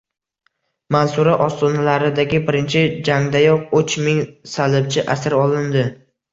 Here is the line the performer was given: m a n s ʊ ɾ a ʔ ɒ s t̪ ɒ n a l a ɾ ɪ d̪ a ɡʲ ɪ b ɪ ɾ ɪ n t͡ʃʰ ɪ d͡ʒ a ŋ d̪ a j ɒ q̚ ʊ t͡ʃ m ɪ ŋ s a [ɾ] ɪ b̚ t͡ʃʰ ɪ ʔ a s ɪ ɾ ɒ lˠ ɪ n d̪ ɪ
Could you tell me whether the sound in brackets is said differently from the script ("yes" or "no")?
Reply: yes